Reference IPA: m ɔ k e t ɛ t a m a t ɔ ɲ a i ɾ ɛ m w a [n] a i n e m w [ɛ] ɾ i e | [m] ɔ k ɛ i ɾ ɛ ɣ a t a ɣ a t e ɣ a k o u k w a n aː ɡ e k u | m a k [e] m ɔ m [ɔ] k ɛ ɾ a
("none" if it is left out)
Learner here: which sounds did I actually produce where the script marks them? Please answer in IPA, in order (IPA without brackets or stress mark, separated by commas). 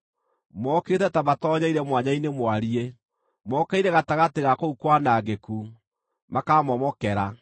ɲ, a, m, a, ɔ